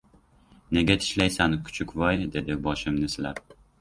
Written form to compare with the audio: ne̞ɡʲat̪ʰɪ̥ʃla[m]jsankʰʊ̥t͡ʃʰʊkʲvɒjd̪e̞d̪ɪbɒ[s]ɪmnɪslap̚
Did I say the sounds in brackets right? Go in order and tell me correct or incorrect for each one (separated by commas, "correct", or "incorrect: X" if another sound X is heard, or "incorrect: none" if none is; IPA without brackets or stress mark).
incorrect: none, incorrect: ʃ